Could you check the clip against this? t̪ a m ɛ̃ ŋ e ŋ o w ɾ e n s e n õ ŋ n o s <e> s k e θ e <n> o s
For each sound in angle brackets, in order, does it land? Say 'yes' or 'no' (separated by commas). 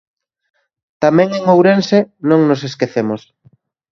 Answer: yes, no